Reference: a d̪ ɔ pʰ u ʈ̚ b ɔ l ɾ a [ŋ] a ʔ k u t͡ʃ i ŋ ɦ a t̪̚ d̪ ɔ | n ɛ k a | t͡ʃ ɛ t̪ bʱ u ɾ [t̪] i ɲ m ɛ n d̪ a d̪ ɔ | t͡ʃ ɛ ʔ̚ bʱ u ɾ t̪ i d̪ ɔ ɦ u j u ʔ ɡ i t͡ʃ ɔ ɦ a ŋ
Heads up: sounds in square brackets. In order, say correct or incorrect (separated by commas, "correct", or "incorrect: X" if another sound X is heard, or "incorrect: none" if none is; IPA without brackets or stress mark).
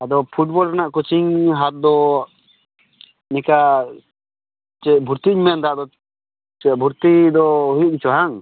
incorrect: n, correct